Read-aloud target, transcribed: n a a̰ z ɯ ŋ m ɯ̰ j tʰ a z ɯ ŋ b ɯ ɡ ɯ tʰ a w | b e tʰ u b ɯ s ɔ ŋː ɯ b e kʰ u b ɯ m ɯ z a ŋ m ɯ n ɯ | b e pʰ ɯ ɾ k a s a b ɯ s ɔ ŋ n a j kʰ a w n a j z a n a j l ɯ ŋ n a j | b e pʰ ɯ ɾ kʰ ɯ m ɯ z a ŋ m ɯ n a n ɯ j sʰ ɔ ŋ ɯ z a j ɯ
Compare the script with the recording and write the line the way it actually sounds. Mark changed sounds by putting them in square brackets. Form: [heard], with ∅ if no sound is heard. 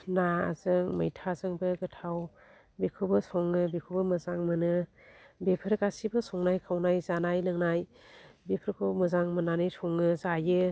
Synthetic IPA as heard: n a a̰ z ɯ ŋ m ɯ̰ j tʰ a z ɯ ŋ b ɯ ɡ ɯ tʰ a w | b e [kʰ] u b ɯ s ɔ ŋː ɯ b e kʰ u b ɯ m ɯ z a ŋ m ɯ n ɯ | b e pʰ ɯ ɾ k a s [i] b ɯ s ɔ ŋ n a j kʰ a w n a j z a n a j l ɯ ŋ n a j | b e pʰ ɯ ɾ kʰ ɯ m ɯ z a ŋ m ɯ n a n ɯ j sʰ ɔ ŋ ɯ z a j ɯ